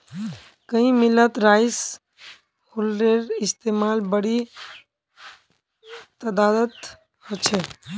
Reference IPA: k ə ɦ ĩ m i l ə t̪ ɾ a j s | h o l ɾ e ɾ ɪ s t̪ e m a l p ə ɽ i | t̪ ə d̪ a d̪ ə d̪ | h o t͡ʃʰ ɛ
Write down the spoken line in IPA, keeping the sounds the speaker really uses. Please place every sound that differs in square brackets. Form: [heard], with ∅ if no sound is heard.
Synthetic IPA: k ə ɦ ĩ m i l ə t̪ ɾ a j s | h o l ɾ e ɾ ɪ s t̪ e m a l [b] ə ɽ i | t̪ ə d̪ a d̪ ə [t̪] | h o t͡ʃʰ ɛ